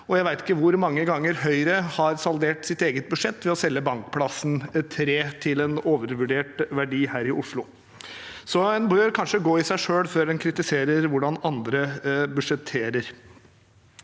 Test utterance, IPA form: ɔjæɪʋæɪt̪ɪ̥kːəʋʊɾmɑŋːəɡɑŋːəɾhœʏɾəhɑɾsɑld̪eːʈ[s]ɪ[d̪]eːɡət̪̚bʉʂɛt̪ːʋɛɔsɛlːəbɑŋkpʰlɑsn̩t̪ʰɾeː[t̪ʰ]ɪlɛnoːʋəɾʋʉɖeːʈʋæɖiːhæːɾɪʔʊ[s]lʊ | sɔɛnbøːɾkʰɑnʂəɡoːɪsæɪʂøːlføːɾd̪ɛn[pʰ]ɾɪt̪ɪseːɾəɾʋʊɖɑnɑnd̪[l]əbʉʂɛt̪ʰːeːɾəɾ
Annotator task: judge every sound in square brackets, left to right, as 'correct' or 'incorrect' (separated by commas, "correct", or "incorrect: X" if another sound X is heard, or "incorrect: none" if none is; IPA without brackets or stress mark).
correct, incorrect: t̪, correct, incorrect: ʂ, incorrect: kʰ, incorrect: ɾ